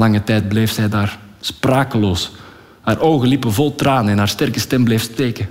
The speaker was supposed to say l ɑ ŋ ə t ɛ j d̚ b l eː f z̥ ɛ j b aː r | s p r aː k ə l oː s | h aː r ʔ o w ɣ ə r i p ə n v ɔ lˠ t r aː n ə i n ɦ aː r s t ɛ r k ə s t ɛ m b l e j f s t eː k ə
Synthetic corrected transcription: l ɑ ŋ ə t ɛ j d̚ b l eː f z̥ ɛ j d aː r | s p r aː k ə l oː s | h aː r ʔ o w ɣ ə l i p ə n v ɔ lˠ t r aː n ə ɛ n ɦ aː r s t ɛ r k ə s t ɛ m b l e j f s t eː k ə